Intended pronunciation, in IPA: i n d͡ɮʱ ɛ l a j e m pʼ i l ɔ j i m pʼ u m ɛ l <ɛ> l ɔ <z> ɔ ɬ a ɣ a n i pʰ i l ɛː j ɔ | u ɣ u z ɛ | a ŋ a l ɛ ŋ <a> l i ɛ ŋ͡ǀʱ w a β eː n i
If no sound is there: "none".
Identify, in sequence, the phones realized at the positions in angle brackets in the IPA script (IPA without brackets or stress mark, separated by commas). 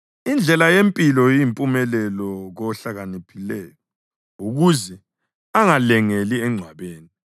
ɛ, ɣ, e